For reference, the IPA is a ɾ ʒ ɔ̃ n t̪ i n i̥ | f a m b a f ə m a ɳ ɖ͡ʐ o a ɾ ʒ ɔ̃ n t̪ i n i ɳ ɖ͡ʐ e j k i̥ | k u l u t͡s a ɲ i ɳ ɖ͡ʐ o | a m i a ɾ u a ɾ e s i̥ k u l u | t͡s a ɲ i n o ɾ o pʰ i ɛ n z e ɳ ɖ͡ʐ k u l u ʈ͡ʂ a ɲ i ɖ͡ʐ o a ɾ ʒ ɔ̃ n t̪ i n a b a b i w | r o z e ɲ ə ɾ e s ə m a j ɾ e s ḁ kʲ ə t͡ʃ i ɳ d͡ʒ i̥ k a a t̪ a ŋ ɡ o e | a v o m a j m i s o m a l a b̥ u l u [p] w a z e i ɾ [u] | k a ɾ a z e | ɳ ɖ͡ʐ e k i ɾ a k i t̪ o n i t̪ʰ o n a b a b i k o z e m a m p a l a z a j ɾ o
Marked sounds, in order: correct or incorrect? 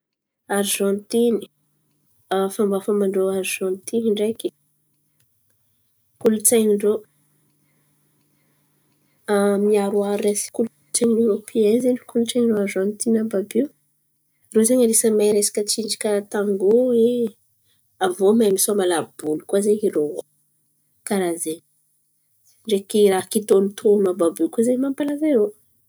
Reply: incorrect: k, incorrect: o

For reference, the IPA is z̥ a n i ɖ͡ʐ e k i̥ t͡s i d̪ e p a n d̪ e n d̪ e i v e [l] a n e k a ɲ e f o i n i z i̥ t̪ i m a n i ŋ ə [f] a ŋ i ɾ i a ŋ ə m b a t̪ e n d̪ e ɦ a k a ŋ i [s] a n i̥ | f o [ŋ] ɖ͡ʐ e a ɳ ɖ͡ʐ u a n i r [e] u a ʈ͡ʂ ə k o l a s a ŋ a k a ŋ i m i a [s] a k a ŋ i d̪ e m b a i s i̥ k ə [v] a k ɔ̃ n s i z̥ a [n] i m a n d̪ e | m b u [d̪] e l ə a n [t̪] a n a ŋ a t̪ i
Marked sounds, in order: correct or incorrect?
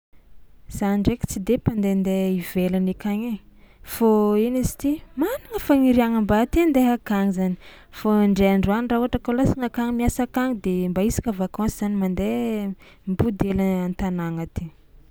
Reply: correct, correct, incorrect: z, incorrect: ɳ, incorrect: a, correct, correct, correct, correct, correct

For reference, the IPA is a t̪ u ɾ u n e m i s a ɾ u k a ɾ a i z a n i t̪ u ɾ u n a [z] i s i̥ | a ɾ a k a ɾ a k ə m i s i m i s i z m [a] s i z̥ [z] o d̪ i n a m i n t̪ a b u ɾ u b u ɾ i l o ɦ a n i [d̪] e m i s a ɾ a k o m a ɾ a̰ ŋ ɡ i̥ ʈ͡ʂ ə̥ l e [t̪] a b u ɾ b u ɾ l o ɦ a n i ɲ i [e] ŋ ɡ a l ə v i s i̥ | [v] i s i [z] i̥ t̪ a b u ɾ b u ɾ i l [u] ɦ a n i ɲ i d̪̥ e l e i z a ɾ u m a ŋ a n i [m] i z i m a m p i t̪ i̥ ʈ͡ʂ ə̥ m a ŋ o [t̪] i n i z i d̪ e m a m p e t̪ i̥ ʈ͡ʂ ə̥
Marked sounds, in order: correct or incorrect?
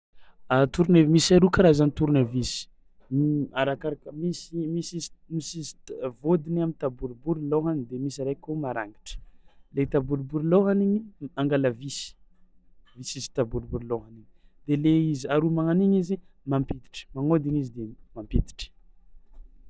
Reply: incorrect: v, incorrect: i, incorrect: v, correct, correct, incorrect: a, correct, correct, incorrect: o, incorrect: ɲ, incorrect: d̪

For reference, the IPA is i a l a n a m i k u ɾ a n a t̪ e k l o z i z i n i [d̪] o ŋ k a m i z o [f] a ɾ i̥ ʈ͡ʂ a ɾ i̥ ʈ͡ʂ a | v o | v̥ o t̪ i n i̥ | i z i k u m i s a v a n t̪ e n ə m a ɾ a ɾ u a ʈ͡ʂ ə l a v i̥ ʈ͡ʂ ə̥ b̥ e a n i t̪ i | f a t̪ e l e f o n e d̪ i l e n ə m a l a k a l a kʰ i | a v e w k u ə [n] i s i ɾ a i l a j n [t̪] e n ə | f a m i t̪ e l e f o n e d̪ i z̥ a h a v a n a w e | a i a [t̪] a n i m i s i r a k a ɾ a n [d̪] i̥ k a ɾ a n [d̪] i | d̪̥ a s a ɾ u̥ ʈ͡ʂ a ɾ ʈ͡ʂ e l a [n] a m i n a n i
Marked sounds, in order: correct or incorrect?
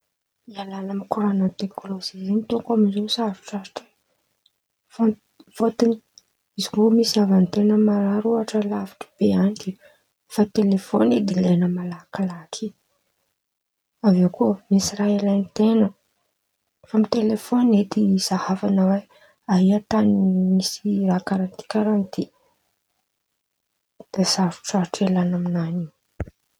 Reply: incorrect: t̪, incorrect: s, incorrect: m, correct, correct, incorrect: t̪, incorrect: t̪, correct

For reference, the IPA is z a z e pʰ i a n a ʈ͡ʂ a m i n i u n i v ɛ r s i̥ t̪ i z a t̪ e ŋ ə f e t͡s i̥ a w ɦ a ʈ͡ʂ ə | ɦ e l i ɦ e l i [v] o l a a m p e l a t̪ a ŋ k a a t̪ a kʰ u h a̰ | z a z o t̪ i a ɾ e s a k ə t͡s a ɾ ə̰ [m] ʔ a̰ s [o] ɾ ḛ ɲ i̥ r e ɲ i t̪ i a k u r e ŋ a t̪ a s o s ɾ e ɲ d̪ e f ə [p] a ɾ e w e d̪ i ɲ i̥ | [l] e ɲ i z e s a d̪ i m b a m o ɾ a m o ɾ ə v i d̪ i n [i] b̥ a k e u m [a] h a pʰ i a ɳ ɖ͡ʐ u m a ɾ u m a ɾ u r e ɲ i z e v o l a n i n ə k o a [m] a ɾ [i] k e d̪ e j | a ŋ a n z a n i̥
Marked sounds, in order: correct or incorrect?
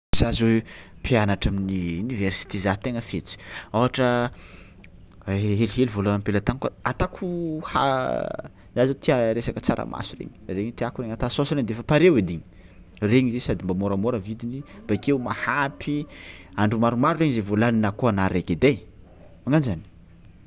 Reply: correct, correct, incorrect: u, correct, incorrect: r, correct, correct, incorrect: n, incorrect: e

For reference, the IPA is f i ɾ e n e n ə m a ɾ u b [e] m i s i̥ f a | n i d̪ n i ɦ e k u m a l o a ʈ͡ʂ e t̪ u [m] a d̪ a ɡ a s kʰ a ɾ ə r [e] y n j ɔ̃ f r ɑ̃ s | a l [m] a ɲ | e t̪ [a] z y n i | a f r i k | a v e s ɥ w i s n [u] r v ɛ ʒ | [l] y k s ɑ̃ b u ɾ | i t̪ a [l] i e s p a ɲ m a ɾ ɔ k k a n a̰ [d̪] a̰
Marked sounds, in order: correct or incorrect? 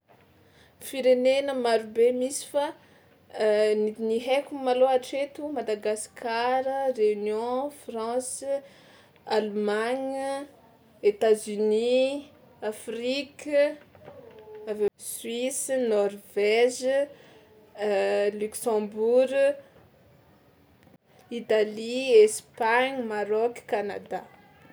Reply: correct, correct, correct, correct, correct, incorrect: ɔ, correct, correct, correct

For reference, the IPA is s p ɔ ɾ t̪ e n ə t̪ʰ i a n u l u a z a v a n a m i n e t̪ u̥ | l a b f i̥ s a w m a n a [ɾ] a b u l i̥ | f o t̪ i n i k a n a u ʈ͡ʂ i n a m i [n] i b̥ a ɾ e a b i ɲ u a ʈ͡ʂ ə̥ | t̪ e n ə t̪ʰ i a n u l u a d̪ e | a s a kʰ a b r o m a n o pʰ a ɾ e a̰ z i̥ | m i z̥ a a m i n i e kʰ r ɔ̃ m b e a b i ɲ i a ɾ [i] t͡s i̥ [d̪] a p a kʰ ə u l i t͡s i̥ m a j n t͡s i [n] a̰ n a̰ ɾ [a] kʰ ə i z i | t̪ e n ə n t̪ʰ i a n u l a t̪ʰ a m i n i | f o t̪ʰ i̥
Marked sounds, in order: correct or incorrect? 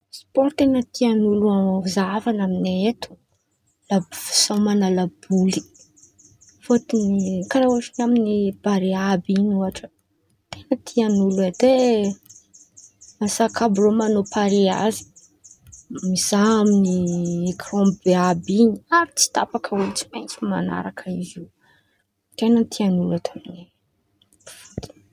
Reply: incorrect: l, correct, correct, incorrect: t̪, incorrect: m, correct

